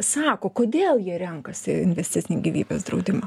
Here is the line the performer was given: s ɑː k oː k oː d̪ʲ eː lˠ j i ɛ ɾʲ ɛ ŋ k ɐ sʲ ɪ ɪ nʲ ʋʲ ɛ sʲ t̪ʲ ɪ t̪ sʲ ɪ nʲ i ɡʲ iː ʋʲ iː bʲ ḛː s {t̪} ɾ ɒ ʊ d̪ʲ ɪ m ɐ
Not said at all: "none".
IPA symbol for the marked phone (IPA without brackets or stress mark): d̪